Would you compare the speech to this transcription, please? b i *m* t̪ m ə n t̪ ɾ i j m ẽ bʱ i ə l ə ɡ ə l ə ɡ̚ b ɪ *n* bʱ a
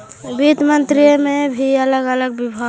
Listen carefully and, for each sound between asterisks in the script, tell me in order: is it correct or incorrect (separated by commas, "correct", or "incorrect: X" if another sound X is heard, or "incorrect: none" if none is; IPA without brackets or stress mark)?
incorrect: none, incorrect: none